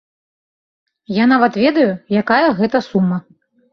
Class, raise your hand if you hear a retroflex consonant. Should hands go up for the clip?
no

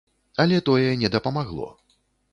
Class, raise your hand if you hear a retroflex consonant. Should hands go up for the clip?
no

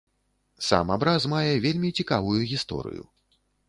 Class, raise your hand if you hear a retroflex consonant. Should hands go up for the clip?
no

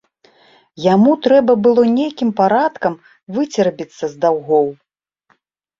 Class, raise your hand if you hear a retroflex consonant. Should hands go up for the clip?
no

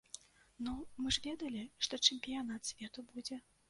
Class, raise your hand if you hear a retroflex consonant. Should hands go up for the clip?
yes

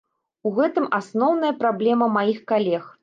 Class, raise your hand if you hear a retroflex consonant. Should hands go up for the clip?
no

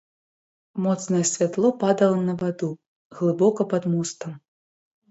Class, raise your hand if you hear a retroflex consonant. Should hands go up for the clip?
no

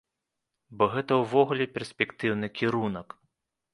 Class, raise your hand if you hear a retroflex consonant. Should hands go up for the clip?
no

